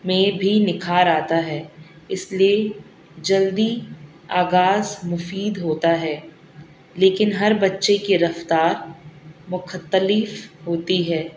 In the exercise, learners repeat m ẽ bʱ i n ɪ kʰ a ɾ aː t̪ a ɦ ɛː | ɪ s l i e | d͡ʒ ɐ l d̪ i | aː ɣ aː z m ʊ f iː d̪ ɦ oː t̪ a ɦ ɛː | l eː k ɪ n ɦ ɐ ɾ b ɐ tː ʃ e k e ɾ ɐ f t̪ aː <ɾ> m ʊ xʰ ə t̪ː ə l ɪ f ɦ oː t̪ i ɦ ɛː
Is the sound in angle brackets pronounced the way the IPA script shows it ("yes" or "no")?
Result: yes